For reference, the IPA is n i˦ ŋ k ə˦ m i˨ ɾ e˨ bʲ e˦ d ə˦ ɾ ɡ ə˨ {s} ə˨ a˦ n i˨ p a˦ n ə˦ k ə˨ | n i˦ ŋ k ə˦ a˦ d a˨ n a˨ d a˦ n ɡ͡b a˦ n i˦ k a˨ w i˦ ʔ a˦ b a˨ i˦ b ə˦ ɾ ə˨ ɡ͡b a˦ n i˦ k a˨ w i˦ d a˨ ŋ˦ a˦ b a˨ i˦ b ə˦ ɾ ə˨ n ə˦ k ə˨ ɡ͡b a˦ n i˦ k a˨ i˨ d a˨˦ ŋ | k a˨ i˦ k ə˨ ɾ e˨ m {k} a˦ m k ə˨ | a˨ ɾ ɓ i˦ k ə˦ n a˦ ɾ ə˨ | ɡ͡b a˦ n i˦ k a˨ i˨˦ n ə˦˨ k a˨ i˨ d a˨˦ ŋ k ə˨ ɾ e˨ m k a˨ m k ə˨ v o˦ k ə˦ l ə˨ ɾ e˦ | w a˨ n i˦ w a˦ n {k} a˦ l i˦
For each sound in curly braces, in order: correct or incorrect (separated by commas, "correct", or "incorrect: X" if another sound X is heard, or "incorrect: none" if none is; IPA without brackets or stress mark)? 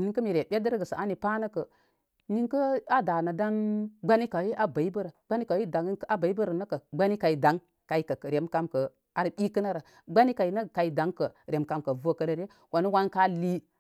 correct, correct, correct